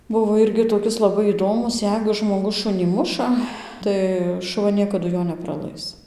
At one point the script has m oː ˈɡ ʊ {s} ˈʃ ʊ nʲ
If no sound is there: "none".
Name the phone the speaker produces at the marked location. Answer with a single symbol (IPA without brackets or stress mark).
s